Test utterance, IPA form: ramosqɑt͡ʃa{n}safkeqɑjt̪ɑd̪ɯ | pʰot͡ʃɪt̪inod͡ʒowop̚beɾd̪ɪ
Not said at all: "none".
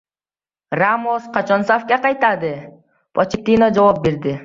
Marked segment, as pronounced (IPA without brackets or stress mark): n